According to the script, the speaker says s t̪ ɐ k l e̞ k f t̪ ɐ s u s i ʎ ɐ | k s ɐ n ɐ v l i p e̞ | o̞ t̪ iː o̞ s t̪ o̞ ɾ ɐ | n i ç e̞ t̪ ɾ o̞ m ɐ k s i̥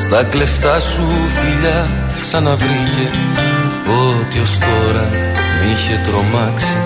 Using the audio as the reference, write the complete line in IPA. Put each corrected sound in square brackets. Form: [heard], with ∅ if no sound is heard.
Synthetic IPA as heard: s t̪ ɐ k l e̞ [∅] f t̪ ɐ s u [f] i ʎ ɐ | k s ɐ n ɐ v [ɾ] i [c] e̞ | o̞ t̪ [i] o̞ s t̪ o̞ ɾ ɐ | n i ç e̞ t̪ ɾ o̞ m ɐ k s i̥